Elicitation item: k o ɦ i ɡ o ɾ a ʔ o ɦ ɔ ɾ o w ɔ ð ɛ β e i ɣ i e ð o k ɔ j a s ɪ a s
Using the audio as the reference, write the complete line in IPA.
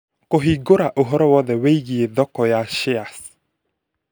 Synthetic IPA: k o ɦ i ɡ o ɾ a ʔ o ɦ ɔ ɾ ɔ w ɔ ð ɛ w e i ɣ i e ð ɔ k ɔ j a ʃ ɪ a s